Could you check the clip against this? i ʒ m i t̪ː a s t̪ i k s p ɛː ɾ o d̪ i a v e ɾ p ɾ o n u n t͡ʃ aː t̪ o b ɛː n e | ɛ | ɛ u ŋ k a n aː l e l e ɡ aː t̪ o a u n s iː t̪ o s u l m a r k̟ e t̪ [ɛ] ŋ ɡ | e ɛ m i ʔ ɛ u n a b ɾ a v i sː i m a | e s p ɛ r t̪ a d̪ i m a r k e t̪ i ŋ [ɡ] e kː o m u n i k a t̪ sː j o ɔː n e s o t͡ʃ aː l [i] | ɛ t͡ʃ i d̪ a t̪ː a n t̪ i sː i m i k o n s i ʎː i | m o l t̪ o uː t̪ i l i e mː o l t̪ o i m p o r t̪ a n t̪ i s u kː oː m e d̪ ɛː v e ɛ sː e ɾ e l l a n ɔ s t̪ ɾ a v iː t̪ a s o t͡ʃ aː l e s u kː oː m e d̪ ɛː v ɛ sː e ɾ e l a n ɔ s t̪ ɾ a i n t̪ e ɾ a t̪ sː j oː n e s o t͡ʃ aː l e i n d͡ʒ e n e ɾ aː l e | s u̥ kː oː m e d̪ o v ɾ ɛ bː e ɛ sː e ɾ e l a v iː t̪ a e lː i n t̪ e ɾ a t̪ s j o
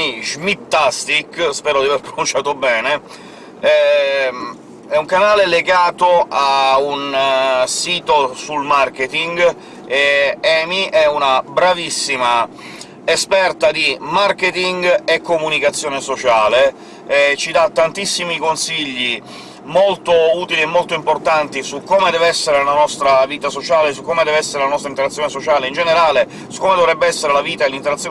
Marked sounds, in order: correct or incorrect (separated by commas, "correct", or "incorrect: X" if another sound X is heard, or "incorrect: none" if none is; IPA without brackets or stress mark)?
incorrect: i, correct, incorrect: e